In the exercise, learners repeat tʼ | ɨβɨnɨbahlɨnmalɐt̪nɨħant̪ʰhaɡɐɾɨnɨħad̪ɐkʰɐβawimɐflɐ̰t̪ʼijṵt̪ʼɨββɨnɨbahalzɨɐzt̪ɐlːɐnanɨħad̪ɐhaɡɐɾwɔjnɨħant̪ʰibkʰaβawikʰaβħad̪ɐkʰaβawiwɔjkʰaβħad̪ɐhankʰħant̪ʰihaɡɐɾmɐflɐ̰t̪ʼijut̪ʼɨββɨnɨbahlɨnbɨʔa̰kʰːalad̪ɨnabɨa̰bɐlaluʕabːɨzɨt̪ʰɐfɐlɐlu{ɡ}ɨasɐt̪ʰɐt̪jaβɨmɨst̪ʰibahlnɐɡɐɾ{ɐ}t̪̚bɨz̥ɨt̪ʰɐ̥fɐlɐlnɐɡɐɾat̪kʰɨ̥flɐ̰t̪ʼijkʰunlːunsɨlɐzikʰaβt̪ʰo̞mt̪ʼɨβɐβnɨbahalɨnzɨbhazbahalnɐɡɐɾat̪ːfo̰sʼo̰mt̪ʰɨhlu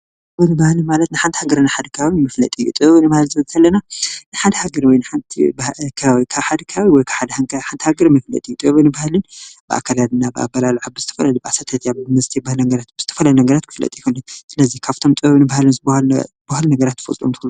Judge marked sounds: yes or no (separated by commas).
no, no